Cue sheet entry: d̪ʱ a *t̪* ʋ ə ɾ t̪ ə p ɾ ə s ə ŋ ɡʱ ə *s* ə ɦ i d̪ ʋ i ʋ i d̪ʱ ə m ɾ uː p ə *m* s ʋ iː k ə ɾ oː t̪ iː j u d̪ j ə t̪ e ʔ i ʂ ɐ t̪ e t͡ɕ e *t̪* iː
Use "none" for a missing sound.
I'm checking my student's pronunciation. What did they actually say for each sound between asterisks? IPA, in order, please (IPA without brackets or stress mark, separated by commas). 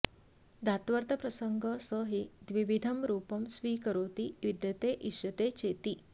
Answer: t̪, s, m, t̪